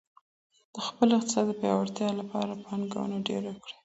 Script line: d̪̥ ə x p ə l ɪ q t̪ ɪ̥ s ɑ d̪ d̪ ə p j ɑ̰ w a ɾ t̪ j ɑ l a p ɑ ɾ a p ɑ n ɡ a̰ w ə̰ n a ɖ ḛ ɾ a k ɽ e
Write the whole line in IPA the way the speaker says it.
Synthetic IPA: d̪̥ ə x p ə l ɪ q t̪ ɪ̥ s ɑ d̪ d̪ ə p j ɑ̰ w a ɾ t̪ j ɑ l a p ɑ ɾ a p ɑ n ɡ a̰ w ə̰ n a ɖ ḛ ɾ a k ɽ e